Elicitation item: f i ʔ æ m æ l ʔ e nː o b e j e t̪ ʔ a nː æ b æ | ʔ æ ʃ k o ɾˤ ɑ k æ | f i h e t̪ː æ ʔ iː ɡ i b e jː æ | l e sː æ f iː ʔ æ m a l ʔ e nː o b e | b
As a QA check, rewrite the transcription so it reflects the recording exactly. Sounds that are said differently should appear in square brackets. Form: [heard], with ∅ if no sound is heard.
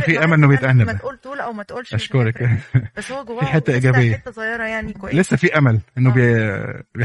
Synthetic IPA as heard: f i ʔ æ m æ l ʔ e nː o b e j e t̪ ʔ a nː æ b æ | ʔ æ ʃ k o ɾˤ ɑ k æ | f i [ħ] e t̪ː æ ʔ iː ɡ [æ] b e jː æ | l e sː æ f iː ʔ æ m [æ] l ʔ e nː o b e | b